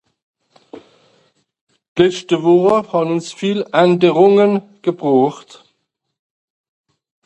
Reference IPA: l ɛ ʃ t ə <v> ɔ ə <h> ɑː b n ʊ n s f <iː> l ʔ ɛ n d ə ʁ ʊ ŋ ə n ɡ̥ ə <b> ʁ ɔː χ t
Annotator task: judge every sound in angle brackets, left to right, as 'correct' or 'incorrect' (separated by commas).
correct, correct, correct, correct